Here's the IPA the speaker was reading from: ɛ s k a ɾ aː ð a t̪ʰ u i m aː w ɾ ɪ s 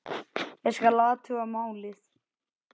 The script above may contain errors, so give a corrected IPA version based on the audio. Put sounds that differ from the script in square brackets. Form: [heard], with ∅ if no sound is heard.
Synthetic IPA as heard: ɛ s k a [l] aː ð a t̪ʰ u [a] m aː w [l] ɪ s